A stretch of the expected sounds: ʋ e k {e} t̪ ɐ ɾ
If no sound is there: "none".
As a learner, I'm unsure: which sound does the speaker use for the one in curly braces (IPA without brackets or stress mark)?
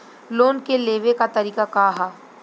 a